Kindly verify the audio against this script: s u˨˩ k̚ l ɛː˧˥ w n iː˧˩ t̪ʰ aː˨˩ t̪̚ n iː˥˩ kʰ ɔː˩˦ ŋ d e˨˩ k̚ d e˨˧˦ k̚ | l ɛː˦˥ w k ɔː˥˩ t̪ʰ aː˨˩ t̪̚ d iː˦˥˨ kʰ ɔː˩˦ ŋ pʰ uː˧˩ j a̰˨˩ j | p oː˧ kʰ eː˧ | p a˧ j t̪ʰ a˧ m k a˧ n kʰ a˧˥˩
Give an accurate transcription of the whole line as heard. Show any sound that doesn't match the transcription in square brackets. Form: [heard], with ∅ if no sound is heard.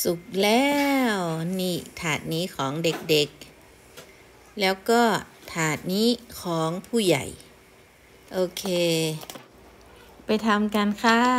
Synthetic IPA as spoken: s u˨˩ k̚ l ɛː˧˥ w n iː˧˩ t̪ʰ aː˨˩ t̪̚ n [iː˦˥] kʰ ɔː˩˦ ŋ d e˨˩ k̚ d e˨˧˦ k̚ | l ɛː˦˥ w k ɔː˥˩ t̪ʰ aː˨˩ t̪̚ [n] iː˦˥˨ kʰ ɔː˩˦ ŋ pʰ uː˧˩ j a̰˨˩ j | [ʔ] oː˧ kʰ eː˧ | p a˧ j t̪ʰ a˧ m k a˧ n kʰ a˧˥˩